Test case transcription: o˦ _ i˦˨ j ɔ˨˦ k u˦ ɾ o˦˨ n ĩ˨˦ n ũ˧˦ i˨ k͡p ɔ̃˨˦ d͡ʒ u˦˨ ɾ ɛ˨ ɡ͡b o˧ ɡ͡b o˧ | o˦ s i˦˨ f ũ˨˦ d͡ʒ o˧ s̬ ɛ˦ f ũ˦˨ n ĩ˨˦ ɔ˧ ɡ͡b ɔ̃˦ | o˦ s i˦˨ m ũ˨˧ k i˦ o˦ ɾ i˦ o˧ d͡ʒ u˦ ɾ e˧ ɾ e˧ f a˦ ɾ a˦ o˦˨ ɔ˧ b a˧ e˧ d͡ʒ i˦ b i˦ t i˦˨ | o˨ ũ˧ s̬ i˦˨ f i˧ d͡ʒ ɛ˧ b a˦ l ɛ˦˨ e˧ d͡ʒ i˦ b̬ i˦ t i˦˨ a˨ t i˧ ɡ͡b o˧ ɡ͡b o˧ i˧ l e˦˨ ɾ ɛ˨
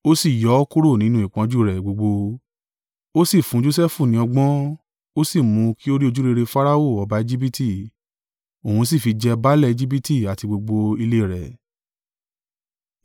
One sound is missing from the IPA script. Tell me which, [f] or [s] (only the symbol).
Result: s